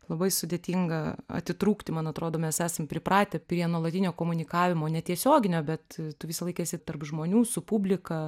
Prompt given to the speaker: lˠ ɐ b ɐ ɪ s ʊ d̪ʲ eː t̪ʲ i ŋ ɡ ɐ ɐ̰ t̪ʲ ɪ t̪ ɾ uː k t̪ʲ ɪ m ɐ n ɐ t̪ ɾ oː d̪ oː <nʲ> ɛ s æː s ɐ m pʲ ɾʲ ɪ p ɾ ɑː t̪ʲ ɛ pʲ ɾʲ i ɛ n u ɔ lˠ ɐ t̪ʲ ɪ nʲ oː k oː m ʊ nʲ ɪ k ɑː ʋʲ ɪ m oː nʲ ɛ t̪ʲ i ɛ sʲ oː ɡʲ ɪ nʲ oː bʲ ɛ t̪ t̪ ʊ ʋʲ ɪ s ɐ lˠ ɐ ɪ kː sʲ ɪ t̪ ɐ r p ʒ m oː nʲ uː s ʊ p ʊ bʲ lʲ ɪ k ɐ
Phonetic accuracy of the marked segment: incorrect: mʲ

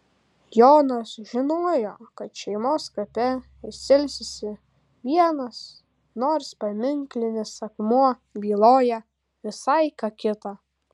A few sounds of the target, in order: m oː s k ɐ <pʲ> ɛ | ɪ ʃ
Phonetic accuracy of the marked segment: correct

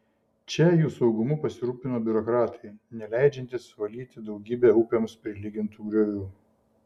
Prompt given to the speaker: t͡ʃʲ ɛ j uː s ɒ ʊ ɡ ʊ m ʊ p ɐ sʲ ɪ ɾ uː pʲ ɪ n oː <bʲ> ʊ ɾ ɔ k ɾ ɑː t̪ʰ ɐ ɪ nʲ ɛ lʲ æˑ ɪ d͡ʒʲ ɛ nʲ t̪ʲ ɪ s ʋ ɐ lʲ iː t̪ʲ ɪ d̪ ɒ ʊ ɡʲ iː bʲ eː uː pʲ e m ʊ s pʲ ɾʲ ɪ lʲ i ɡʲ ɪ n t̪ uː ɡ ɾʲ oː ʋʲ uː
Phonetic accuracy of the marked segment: correct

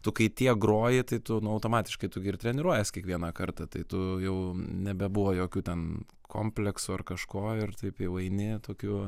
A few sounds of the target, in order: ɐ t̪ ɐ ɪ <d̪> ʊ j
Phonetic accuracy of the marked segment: incorrect: t̪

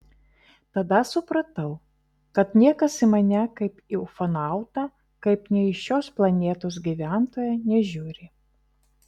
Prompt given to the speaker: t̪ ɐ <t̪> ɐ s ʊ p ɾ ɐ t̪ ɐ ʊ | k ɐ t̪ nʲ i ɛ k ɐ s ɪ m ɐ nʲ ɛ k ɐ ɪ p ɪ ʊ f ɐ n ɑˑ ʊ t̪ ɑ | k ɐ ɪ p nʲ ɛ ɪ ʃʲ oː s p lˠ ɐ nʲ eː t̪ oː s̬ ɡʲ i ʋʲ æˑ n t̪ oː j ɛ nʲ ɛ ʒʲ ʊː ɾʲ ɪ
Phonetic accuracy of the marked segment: incorrect: d̪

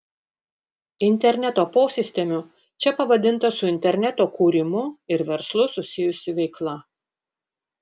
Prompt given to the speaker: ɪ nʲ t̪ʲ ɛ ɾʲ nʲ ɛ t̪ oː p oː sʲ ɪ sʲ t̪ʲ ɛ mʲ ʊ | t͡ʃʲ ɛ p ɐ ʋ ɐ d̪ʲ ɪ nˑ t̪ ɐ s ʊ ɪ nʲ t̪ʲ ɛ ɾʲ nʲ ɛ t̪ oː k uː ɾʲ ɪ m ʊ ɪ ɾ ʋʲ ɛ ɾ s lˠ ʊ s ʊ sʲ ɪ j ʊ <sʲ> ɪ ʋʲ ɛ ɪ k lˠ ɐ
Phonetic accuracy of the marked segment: correct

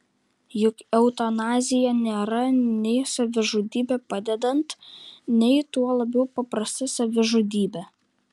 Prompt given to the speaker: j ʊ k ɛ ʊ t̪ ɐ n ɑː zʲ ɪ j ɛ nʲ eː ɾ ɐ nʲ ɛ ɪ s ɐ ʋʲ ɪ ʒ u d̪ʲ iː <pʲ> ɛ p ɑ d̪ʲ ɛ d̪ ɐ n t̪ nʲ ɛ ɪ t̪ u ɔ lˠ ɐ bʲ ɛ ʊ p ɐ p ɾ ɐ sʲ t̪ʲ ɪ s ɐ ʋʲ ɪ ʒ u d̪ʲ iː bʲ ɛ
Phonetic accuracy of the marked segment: incorrect: bʲ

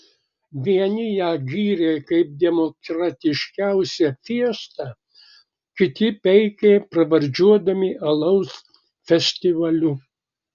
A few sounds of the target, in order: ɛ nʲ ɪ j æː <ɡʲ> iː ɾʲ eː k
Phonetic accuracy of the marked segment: correct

